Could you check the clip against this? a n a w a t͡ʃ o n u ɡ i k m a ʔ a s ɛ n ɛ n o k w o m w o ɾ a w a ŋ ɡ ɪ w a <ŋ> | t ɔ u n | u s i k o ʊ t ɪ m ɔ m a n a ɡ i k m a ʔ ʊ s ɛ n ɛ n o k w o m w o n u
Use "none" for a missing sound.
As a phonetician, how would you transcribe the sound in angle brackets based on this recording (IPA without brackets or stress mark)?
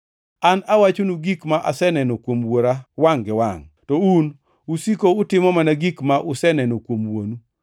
ŋ